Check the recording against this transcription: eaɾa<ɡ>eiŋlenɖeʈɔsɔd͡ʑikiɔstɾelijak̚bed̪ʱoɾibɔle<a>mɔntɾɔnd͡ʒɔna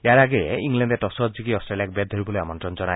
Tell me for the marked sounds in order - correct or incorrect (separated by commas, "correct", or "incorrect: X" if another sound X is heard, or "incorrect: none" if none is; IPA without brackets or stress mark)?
correct, correct